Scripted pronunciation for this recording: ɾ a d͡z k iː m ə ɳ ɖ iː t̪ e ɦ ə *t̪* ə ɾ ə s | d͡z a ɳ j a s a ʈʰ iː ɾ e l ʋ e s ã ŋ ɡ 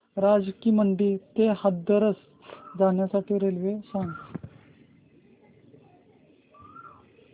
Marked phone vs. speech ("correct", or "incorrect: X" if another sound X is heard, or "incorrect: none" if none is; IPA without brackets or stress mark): incorrect: d̪